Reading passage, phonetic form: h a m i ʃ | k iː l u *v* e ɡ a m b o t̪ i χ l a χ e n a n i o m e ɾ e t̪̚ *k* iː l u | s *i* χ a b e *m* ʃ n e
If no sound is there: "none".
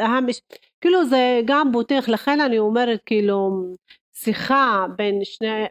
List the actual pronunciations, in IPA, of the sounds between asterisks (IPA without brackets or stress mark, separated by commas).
z, k, i, n